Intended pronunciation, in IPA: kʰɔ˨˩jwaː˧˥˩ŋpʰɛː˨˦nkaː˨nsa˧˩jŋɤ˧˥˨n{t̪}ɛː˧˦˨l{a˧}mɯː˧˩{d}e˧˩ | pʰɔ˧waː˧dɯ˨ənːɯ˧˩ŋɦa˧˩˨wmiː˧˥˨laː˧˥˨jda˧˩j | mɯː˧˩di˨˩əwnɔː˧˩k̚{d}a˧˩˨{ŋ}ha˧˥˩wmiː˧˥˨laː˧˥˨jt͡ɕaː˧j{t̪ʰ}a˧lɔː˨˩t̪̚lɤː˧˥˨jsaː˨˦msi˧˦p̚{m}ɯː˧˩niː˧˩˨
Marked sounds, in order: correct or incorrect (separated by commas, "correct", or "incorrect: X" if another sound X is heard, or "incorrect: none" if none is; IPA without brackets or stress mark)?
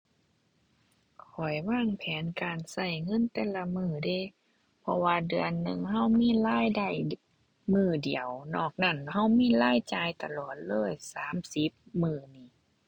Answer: correct, correct, correct, incorrect: n, incorrect: n, incorrect: t̪, correct